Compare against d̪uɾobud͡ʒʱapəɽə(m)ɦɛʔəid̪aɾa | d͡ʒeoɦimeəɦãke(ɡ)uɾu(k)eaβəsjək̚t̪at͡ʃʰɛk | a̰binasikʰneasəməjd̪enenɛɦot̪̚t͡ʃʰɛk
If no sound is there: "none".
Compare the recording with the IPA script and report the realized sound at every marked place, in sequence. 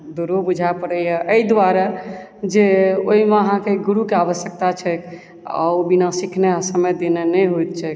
none, ɡ, k

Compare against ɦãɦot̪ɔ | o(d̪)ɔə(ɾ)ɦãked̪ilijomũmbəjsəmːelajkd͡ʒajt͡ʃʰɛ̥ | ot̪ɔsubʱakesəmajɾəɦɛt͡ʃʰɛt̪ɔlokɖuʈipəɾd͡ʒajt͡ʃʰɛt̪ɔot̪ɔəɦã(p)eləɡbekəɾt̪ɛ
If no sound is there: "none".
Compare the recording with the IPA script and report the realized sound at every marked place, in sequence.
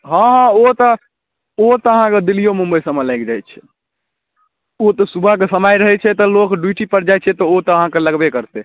t̪, none, k

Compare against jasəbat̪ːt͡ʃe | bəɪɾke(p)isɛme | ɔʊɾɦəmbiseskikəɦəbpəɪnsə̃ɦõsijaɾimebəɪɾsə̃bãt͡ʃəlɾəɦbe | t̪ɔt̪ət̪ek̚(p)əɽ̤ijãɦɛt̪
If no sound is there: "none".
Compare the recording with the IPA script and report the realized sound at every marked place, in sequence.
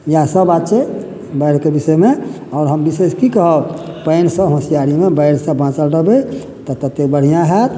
b, b

